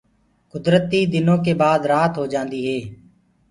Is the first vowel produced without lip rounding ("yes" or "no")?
no